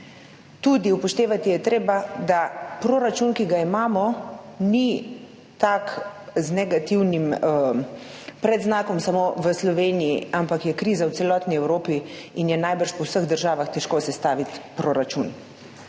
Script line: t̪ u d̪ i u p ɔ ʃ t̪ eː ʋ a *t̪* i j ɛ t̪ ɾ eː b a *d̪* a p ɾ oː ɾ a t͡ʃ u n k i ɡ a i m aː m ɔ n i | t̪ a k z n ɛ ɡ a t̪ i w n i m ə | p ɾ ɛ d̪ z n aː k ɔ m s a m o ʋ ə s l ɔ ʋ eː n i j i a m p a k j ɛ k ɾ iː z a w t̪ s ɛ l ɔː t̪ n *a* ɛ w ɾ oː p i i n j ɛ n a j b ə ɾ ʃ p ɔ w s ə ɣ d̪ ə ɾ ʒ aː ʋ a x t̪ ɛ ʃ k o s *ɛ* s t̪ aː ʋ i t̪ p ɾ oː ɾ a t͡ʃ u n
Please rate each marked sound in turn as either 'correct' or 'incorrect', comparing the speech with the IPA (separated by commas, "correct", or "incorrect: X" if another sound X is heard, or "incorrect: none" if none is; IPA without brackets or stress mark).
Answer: correct, correct, incorrect: i, correct